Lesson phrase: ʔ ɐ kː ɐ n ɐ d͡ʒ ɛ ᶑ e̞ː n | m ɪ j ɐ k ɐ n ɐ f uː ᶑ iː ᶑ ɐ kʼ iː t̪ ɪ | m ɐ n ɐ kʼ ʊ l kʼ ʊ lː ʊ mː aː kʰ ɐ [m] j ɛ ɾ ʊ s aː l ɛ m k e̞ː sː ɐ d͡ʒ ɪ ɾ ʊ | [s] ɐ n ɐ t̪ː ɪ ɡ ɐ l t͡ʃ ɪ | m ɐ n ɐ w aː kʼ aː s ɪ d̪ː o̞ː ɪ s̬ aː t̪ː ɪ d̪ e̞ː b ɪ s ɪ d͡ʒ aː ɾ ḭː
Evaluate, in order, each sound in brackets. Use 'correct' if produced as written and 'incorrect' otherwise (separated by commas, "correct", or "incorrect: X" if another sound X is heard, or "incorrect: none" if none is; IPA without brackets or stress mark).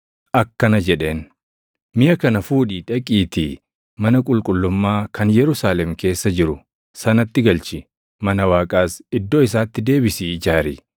incorrect: n, correct